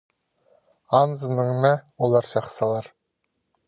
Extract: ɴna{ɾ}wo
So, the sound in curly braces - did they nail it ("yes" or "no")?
no